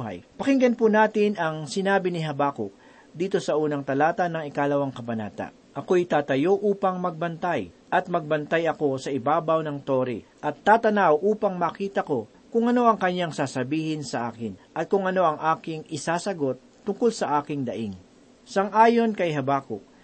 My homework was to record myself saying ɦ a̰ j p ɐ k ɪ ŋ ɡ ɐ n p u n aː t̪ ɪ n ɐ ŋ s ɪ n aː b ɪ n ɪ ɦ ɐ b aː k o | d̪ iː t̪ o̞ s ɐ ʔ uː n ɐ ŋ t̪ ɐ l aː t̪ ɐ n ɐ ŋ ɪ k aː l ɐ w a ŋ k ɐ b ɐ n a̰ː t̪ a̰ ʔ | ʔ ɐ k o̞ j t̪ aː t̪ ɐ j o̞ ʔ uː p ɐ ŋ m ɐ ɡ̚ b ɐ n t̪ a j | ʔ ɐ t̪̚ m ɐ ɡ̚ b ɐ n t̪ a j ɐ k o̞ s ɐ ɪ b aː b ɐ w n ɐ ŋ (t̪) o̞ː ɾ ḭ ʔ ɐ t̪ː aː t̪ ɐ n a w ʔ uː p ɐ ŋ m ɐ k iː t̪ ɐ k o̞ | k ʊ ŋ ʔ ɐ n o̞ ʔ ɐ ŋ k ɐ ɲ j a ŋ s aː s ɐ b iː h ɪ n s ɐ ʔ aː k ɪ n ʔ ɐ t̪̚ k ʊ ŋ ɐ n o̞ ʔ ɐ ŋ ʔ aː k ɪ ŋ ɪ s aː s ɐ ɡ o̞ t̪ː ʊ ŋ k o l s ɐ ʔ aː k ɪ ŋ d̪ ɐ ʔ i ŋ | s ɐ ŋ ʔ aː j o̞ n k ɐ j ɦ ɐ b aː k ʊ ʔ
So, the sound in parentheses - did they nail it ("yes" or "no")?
yes